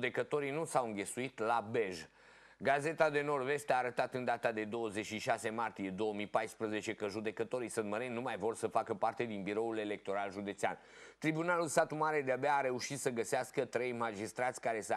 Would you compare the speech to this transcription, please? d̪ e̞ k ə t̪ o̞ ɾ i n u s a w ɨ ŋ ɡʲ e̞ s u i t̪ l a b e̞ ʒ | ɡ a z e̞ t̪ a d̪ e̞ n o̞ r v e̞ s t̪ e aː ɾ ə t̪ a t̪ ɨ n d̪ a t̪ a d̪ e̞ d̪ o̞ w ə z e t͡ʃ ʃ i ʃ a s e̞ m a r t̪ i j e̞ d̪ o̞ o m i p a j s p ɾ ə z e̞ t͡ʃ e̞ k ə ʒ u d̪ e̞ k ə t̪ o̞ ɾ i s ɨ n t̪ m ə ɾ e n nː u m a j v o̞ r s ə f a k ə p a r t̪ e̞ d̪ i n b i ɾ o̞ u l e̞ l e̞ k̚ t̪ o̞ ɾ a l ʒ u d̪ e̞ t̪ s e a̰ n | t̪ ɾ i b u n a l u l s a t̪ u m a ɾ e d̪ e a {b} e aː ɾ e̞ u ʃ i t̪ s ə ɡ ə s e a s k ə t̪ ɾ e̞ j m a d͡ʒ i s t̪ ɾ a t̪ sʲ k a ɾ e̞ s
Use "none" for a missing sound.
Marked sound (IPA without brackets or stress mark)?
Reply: b